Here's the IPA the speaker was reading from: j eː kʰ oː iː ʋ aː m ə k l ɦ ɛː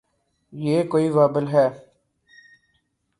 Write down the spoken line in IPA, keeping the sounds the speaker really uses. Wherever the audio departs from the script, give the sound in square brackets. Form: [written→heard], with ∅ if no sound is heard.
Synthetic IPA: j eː [kʰ→k] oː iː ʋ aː [m→b] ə [k→∅] l ɦ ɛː